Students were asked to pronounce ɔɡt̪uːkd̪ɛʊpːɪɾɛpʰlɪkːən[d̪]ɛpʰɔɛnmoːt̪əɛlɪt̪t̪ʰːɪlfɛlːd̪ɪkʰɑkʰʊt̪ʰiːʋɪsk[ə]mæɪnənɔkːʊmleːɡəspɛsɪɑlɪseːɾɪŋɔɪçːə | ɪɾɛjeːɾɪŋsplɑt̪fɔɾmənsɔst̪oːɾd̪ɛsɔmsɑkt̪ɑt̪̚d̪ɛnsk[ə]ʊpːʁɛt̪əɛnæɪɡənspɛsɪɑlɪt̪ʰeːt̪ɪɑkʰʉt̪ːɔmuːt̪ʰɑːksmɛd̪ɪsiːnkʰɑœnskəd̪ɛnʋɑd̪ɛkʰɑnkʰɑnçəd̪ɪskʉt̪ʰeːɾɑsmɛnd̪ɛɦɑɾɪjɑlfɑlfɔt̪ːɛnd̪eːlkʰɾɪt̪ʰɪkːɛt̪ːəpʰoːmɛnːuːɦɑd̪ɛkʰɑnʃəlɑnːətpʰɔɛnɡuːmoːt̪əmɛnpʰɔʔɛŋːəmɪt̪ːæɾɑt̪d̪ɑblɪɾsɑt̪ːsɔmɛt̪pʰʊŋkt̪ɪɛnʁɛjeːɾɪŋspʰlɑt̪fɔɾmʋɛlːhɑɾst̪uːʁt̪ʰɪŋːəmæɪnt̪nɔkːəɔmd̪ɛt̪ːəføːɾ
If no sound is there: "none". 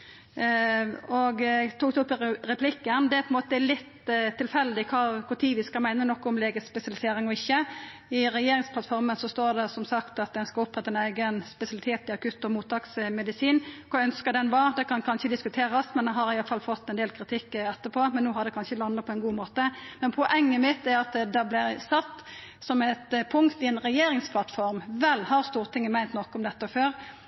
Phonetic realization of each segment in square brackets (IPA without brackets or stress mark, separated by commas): d̪, ɑ, ɑ